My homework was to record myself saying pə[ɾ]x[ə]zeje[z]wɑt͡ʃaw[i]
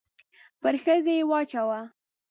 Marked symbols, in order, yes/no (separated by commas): yes, yes, no, no